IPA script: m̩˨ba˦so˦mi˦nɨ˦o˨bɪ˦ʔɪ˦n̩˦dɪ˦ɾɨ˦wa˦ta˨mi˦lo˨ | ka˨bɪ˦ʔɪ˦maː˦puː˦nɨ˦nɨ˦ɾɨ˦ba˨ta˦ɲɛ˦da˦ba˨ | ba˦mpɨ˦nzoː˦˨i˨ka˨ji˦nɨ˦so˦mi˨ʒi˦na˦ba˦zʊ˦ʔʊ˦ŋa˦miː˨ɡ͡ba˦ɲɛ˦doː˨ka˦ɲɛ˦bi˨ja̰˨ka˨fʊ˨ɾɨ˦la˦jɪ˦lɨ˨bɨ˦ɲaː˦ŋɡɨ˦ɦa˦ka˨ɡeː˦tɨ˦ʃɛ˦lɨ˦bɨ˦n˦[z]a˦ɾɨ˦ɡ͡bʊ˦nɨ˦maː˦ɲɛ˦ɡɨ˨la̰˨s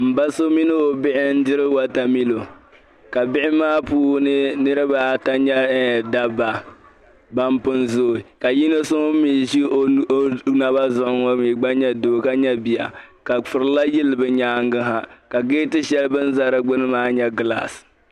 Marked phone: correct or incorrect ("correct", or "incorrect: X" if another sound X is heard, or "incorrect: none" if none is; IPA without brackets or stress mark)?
correct